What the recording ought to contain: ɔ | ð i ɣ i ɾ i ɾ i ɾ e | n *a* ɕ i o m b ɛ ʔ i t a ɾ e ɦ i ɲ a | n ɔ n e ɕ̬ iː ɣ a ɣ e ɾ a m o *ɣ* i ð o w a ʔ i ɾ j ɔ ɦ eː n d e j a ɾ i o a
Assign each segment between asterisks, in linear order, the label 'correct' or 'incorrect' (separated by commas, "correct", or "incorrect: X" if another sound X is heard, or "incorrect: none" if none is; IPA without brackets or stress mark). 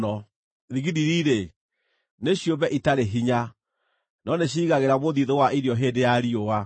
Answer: incorrect: e, incorrect: ð